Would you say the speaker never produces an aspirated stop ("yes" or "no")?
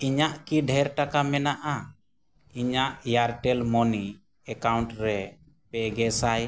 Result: yes